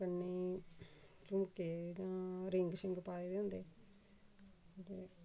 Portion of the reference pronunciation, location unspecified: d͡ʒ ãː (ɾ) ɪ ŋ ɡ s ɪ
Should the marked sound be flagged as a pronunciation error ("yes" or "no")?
no